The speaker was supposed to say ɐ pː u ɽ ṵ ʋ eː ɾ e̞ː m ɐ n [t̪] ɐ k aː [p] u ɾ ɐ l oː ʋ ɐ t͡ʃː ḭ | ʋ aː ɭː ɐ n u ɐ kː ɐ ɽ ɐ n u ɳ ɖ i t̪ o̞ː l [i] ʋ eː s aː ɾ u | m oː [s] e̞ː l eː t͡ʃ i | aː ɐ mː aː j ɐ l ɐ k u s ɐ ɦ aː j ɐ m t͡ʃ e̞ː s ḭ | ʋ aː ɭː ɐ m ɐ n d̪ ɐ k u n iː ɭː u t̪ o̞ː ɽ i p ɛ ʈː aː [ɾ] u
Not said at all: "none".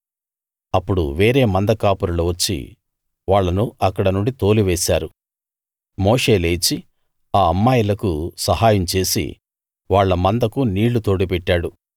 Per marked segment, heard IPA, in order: d̪, p, i, ʂ, ɽ

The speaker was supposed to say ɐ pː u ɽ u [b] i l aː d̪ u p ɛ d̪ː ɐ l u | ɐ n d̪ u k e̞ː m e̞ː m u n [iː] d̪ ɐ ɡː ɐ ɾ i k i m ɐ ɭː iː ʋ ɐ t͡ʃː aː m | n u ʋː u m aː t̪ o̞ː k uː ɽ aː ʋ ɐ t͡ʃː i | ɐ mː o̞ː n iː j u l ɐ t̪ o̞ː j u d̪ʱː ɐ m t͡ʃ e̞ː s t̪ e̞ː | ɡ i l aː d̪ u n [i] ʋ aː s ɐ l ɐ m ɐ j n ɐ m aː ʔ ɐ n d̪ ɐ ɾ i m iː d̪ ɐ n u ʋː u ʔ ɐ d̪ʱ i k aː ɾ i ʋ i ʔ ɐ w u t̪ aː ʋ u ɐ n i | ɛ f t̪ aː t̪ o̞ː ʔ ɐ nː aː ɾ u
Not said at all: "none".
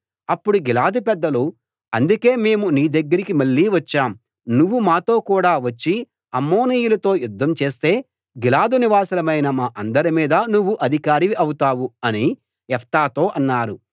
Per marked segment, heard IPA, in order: ɡ, iː, i

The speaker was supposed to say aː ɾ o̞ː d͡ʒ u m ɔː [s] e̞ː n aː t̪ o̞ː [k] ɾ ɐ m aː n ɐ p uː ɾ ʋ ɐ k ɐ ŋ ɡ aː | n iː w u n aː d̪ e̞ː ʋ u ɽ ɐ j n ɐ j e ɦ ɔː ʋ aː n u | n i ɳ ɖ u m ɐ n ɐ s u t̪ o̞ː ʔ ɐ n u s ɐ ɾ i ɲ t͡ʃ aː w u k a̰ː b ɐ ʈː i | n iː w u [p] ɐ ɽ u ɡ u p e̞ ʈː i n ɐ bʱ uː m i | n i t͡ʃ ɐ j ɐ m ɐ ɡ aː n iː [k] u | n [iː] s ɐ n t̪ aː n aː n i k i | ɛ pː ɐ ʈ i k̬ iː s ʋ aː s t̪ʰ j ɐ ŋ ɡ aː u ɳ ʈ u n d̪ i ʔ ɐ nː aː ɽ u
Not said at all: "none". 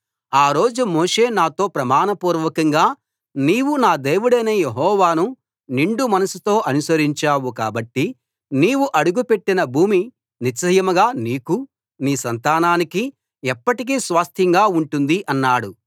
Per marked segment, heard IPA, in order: ʂ, p, ʔ, k, iː

